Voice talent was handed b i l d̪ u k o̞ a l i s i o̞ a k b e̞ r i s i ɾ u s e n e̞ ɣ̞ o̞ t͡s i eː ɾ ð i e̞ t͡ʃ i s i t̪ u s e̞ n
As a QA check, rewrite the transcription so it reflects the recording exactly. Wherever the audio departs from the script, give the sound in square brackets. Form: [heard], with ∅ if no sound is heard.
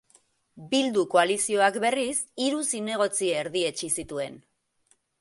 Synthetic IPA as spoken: b i l d̪ u k o̞ a l i s i o̞ a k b e̞ r i s i ɾ u s [i] n e̞ ɣ̞ o̞ t͡s i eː ɾ ð i e̞ t͡ʃ i s i t̪ u [∅] e̞ n